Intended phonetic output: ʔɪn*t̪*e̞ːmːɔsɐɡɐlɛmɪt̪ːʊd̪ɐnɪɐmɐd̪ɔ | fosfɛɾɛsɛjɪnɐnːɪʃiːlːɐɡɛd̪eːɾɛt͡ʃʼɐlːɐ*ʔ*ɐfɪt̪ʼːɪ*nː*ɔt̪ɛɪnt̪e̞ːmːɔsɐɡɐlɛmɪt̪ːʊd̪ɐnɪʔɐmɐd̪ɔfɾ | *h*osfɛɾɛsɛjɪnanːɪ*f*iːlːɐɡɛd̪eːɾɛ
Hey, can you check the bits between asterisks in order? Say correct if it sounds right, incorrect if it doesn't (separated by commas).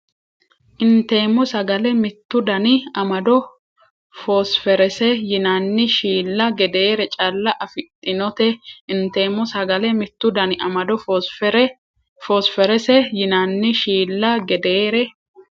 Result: correct, correct, incorrect, incorrect, incorrect